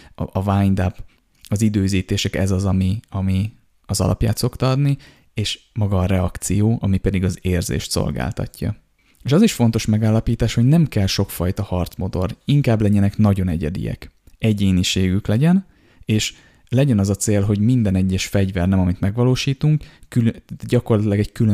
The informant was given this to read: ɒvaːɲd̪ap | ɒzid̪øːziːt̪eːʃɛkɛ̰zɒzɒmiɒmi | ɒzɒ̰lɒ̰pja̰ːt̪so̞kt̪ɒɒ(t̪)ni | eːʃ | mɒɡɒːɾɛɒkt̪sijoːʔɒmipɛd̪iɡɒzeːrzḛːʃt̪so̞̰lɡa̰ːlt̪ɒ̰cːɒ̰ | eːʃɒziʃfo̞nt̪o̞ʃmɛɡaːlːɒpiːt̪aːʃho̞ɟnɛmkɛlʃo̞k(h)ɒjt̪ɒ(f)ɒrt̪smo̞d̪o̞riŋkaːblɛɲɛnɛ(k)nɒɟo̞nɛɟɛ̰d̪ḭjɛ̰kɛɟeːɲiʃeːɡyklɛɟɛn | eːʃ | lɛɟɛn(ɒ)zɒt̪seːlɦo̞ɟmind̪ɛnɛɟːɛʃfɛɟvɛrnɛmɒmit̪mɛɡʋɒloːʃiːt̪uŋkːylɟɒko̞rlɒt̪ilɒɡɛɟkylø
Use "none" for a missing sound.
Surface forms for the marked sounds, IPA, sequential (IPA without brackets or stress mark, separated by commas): d̪, f, h, k, ɒ